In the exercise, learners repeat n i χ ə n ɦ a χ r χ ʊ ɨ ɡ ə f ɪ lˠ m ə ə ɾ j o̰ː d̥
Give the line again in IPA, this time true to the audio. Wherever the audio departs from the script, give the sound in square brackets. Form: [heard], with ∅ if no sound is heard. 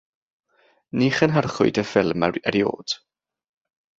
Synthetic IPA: n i χ ə n ɦ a [∅] r χ ʊ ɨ [d] ə f ɪ lˠ m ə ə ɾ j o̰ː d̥